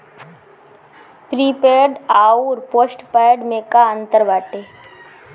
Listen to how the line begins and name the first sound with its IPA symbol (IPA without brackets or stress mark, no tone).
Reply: p